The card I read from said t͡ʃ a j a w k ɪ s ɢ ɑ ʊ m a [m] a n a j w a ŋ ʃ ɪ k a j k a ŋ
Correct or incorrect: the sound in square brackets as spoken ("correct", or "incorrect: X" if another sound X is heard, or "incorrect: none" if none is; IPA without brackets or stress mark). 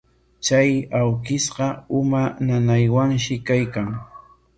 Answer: incorrect: n